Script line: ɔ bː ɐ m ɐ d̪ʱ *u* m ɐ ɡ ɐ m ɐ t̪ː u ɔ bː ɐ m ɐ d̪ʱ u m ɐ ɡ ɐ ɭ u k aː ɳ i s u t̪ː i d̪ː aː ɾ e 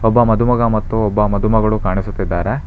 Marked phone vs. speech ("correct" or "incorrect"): correct